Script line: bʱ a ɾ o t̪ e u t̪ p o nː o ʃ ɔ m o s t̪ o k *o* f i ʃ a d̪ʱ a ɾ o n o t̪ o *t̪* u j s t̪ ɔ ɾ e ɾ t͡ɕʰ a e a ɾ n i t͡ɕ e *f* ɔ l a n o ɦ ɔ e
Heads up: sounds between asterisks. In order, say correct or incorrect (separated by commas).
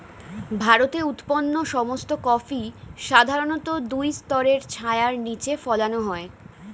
incorrect, incorrect, correct